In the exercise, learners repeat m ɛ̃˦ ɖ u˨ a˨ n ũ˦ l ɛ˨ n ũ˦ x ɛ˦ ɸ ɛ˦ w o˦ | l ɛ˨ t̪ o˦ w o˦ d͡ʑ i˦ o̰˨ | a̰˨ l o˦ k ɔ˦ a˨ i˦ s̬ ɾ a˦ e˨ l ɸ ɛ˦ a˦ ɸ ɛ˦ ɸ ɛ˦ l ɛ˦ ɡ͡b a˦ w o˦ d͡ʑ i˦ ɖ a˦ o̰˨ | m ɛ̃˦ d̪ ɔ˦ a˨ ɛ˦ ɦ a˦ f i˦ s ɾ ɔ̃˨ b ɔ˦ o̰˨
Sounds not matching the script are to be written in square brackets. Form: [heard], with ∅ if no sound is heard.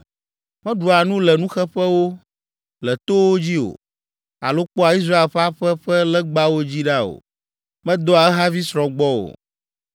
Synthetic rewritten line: m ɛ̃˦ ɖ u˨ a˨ n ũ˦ l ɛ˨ n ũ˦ x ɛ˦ ɸ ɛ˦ w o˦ | l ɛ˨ t̪ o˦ w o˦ d͡ʑ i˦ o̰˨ | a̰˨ l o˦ [k͡p] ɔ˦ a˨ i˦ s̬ ɾ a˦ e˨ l ɸ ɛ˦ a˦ ɸ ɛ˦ ɸ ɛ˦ l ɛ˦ ɡ͡b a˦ w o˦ d͡ʑ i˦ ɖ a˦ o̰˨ | m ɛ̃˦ d̪ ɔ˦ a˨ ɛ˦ ɦ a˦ [v] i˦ s ɾ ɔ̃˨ [ɡ͡b] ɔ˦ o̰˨